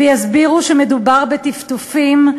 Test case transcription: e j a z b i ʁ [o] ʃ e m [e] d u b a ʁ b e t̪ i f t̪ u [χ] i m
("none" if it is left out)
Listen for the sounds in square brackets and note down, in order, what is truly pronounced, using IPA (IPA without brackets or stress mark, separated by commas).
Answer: u, e, f